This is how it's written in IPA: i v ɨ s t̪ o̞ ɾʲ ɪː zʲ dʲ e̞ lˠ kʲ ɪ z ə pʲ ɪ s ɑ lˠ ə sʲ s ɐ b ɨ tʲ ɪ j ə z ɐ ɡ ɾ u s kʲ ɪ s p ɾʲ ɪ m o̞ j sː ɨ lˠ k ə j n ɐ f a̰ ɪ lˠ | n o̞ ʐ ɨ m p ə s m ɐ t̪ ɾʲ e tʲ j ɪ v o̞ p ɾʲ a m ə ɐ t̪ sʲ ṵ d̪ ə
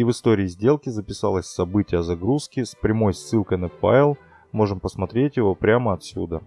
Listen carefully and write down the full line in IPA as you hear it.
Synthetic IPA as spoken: i v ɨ s t̪ o̞ ɾʲ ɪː zʲ dʲ e̞ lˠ kʲ ɪ z ə pʲ ɪ s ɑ lˠ ə sʲ s ɐ b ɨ tʲ ɪ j ə z ɐ ɡ ɾ u s kʲ ɪ s p ɾʲ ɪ m o̞ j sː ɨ lˠ k ə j n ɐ f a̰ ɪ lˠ | m o̞ ʐ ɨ m p ə s m ɐ t̪ ɾʲ e tʲ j ɪ v o̞ p ɾʲ a m ə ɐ t̪ sʲ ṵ d̪ ə